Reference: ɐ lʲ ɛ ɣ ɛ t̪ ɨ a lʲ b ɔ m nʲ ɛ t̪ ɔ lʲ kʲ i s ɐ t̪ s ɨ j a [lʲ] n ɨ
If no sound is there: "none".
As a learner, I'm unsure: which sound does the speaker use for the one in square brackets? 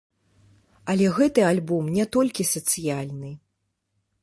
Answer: lʲ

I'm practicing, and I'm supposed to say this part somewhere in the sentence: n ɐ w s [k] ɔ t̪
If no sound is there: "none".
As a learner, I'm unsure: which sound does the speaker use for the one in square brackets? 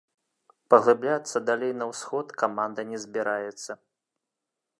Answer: x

